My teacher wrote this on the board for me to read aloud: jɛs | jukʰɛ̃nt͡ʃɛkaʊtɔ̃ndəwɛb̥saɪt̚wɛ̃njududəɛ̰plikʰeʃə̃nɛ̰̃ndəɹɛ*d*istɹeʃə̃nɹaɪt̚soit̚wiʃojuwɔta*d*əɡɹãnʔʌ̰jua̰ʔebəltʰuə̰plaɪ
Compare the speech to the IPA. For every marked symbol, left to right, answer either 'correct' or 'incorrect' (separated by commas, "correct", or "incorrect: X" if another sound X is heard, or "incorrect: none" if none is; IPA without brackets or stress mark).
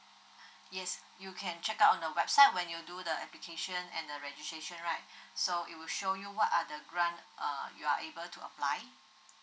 incorrect: d͡ʒ, correct